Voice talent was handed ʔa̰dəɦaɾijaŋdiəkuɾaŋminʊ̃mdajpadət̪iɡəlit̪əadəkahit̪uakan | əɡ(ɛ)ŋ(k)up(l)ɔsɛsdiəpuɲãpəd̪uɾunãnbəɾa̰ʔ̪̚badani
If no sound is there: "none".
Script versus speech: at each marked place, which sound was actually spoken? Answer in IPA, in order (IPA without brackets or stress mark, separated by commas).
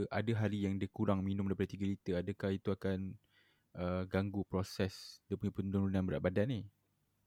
a, ɡ, ɾ